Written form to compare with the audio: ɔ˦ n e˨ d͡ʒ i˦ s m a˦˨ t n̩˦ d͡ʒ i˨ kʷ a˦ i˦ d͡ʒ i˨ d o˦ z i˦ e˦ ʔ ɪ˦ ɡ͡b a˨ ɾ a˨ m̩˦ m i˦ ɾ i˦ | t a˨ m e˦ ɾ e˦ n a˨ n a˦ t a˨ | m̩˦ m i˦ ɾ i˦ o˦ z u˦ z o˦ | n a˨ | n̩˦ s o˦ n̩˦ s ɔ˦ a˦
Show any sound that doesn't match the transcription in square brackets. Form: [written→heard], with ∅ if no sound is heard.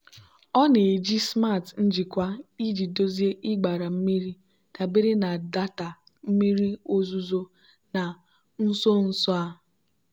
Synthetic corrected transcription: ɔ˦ n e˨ d͡ʒ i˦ s m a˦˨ t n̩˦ d͡ʒ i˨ kʷ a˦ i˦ d͡ʒ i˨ d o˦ z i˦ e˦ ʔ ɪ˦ ɡ͡b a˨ ɾ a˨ m̩˦ m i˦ ɾ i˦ | t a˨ [m→b] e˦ ɾ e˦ n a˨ [n→d] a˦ t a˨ | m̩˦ m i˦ ɾ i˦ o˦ z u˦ z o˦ | n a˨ | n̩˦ s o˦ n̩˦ s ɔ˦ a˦

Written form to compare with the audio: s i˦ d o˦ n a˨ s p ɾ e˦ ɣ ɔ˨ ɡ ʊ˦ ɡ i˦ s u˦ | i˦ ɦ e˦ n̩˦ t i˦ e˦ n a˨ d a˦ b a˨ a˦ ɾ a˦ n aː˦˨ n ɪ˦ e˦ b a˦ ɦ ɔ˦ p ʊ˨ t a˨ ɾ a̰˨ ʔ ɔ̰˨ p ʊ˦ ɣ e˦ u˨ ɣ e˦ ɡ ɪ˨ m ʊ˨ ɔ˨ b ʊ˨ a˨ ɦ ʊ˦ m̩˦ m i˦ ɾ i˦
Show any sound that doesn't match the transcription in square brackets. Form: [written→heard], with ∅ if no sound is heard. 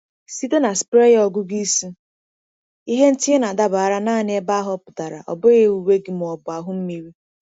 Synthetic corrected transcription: s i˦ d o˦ n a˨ s p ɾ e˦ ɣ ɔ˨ ɡ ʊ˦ ɡ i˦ s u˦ | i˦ ɦ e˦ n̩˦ t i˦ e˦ n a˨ d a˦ b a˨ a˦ ɾ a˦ n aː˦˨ n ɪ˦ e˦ b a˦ ɦ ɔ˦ p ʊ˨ t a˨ ɾ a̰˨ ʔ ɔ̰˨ [p→b] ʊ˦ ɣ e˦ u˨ [ɣ→w] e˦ ɡ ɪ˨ m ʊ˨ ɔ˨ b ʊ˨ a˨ ɦ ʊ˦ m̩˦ m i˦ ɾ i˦

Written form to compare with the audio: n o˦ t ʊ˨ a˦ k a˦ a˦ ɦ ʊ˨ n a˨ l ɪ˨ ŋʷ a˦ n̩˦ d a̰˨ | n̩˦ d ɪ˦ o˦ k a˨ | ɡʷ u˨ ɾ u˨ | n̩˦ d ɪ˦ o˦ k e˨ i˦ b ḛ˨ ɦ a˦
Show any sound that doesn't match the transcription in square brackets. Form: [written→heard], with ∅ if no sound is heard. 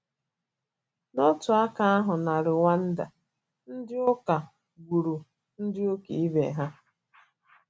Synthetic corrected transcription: n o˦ t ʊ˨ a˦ k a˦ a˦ ɦ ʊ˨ n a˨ [l→ɾ] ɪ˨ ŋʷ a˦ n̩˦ d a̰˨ | n̩˦ d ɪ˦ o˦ k a˨ | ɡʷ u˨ ɾ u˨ | n̩˦ d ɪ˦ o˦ k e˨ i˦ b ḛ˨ ɦ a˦

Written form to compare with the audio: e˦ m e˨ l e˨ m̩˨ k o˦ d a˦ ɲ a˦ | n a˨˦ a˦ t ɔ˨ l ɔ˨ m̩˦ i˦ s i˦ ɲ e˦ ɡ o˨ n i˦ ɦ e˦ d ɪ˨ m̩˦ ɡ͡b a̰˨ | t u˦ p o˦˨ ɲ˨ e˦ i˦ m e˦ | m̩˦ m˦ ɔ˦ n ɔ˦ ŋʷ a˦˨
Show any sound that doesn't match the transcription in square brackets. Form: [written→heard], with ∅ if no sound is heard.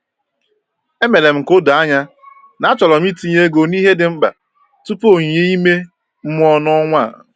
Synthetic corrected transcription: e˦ m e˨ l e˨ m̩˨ k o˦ d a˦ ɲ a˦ | n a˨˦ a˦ [t→t͡ʃ] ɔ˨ l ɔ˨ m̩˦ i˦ [s→t] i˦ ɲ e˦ ɡ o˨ n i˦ ɦ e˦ d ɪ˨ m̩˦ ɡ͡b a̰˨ | t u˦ p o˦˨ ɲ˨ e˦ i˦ m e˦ | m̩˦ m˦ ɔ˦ n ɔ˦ ŋʷ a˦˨

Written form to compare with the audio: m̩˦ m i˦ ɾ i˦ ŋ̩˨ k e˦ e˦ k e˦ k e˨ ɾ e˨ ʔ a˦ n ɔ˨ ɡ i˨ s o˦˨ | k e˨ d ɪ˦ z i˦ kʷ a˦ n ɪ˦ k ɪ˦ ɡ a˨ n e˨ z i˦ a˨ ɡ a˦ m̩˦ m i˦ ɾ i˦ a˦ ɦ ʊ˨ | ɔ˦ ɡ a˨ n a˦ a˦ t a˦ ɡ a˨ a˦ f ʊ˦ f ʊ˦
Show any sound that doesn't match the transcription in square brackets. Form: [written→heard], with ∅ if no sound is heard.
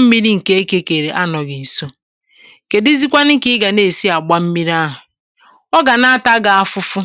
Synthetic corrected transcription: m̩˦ m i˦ ɾ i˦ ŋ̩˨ k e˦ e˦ k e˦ k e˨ ɾ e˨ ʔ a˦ n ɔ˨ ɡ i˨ s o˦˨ | k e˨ d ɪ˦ z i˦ kʷ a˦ n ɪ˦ k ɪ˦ ɡ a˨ n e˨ [z→s] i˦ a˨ [ɡ→ɡ͡b] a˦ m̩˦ m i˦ ɾ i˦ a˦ ɦ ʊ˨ | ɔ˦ ɡ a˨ n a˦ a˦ t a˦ ɡ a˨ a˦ f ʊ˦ f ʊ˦

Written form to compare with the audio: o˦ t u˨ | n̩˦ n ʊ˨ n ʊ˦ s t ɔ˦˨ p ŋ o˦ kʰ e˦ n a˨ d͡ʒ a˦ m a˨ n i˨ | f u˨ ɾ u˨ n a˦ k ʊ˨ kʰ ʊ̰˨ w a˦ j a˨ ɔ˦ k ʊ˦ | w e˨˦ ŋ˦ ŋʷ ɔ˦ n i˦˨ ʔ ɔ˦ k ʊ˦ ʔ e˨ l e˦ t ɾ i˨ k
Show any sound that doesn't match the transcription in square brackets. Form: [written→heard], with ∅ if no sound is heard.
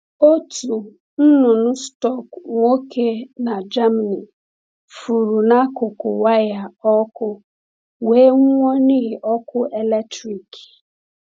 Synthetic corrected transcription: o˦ t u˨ | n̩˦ n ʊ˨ n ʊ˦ s t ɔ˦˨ [p→k] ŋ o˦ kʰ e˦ n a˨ d͡ʒ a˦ m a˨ n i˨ | f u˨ ɾ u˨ n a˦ k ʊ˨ [kʰ→k] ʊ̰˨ w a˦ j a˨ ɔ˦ k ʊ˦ | w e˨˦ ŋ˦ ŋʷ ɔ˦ n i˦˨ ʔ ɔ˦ k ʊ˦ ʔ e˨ l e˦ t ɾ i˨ k

